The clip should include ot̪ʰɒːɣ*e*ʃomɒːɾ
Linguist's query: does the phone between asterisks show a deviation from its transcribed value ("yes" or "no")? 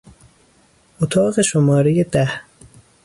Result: no